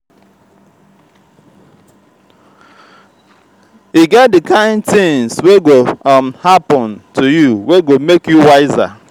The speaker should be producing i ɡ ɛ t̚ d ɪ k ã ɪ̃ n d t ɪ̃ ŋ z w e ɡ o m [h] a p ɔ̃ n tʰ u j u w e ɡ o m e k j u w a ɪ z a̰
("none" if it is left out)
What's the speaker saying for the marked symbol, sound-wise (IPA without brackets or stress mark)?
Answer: h